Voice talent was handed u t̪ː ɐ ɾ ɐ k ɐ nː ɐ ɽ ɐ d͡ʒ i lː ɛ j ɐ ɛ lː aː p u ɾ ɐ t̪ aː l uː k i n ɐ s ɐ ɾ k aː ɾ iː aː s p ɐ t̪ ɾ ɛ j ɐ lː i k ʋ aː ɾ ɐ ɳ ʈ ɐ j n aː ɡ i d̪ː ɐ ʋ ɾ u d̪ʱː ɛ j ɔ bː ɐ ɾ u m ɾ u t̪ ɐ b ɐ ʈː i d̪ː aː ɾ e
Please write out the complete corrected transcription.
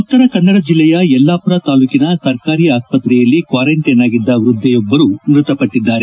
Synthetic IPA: u t̪ː ɐ ɾ ɐ k ɐ nː ɐ ɽ ɐ d͡ʒ i lː ɛ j ɐ ɛ lː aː p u ɾ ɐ t̪ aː l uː k i n ɐ s ɐ ɾ k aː ɾ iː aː s p ɐ t̪ ɾ ɛ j ɐ lː i k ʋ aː ɾ ɐ ɳ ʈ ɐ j n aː ɡ i d̪ː ɐ ʋ ɾ u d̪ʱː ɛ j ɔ bː ɐ ɾ u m ɾ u t̪ ɐ p ɐ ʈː i d̪ː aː ɾ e

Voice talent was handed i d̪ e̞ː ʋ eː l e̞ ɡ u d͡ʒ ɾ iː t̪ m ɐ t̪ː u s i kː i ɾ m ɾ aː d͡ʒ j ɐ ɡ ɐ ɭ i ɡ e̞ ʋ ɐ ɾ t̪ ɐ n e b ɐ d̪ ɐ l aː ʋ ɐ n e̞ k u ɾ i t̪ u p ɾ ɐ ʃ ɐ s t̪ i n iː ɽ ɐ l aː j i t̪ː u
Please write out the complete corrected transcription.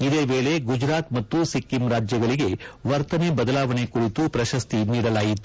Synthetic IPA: i d̪ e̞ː ʋ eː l e̞ ɡ u d͡ʒ ɾ aː t̪ m ɐ t̪ː u s i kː i m ɾ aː d͡ʒ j ɐ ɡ ɐ ɭ i ɡ e̞ ʋ ɐ ɾ t̪ ɐ n e b ɐ d̪ ɐ l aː ʋ ɐ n e̞ k u ɾ i t̪ u p ɾ ɐ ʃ ɐ s t̪ i n iː ɽ ɐ l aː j i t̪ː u

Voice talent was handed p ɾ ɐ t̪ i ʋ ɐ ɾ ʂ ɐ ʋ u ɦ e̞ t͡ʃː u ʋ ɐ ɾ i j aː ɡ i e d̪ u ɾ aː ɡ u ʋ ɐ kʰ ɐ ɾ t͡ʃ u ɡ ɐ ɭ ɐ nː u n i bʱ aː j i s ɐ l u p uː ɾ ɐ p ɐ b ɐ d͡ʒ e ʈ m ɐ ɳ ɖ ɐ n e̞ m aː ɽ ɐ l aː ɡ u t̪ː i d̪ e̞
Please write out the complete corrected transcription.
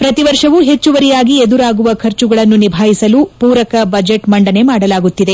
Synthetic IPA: p ɾ ɐ t̪ i ʋ ɐ ɾ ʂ ɐ ʋ u ɦ e̞ t͡ʃː u ʋ ɐ ɾ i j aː ɡ i e d̪ u ɾ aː ɡ u ʋ ɐ kʰ ɐ ɾ t͡ʃ u ɡ ɐ ɭ ɐ nː u n i bʱ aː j i s ɐ l u p uː ɾ ɐ k ɐ b ɐ d͡ʒ e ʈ m ɐ ɳ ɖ ɐ n e̞ m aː ɽ ɐ l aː ɡ u t̪ː i d̪ e̞

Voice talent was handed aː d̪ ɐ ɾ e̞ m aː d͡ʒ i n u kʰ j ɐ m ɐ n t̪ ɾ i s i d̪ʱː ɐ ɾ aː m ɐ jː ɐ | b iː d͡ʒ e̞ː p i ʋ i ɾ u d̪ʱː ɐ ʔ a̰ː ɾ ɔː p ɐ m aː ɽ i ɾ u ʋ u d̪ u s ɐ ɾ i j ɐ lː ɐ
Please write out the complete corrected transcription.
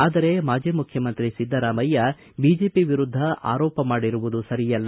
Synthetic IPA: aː d̪ ɐ ɾ e̞ m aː d͡ʒ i m u kʰ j ɐ m ɐ n t̪ ɾ i s i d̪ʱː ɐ ɾ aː m ɐ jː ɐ | b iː d͡ʒ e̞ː p i ʋ i ɾ u d̪ʱː ɐ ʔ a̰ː ɾ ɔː p ɐ m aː ɽ i ɾ u ʋ u d̪ u s ɐ ɾ i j ɐ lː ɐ

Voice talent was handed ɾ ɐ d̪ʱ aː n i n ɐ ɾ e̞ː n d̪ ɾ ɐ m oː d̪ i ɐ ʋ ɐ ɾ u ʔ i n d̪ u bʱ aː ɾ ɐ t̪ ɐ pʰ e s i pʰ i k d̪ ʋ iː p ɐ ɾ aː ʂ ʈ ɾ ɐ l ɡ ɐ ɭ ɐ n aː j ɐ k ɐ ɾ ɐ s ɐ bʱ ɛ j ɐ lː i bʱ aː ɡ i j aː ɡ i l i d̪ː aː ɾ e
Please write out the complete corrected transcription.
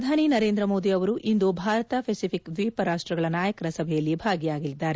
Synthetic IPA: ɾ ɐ d̪ʱ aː n i n ɐ ɾ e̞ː n d̪ ɾ ɐ m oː d̪ i ɐ ʋ ɐ ɾ u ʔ i n d̪ u bʱ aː ɾ ɐ t̪ ɐ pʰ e s i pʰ i k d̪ ʋ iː p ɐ ɾ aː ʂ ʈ ɾ ɐ ɡ ɐ ɭ ɐ n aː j ɐ k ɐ ɾ ɐ s ɐ bʱ ɛ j ɐ lː i bʱ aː ɡ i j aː ɡ i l i d̪ː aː ɾ e

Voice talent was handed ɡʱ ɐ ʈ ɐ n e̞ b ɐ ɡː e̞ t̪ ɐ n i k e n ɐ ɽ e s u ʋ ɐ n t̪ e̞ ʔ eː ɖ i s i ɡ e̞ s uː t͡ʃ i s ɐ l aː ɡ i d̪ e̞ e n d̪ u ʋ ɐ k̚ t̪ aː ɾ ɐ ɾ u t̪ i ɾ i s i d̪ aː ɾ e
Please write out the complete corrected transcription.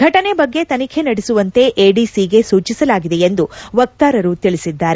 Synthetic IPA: ɡʱ ɐ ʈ ɐ n e̞ b ɐ ɡː e̞ t̪ ɐ n i kʰ e n ɐ ɽ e s u ʋ ɐ n t̪ e̞ ʔ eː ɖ i s i ɡ e̞ s uː t͡ʃ i s ɐ l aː ɡ i d̪ e̞ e n d̪ u ʋ ɐ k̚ t̪ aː ɾ ɐ ɾ u t̪ i ɭ i s i d̪ː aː ɾ e

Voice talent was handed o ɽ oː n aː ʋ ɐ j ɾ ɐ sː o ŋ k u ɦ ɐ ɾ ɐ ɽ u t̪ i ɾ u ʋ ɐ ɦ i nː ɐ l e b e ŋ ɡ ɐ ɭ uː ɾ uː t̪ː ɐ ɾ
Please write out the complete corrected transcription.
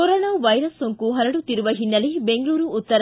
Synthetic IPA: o ɾ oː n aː ʋ ɐ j ɾ ɐ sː o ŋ k u ɦ ɐ ɾ ɐ ɽ u t̪ i ɾ u ʋ ɐ ɦ i nː ɐ l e b e ŋ ɡ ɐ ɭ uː ɾ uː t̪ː ɐ ɾ

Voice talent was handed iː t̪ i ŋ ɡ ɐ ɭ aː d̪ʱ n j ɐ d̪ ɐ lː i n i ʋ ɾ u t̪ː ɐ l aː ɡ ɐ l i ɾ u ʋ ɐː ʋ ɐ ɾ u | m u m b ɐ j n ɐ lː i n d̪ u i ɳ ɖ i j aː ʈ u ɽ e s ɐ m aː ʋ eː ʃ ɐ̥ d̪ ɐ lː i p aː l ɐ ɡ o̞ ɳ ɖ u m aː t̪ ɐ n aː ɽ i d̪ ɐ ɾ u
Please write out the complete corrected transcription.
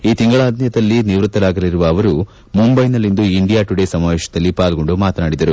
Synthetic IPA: iː t̪ i ŋ ɡ ɐ ɭ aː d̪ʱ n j ɐ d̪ ɐ lː i n i ʋ ɾ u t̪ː ɐ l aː ɡ ɐ l i ɾ u ʋ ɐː ʋ ɐ ɾ u | m u m b ɐ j n ɐ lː i n d̪ u i ɳ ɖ i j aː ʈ u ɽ e s ɐ m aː ʋ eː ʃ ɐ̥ d̪ ɐ lː i p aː l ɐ ɡ o̞ ɳ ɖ u m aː t̪ ɐ n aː ɽ i d̪ ɐ ɾ u

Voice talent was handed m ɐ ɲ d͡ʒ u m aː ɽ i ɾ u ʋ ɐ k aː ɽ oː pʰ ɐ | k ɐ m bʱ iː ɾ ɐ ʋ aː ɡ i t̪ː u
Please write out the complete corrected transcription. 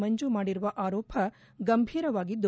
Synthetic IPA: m ɐ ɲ d͡ʒ u m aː ɽ i ɾ u ʋ ɐ ʔ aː ɾ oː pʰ ɐ | ɡ ɐ m bʱ iː ɾ ɐ ʋ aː ɡ i d̪ː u

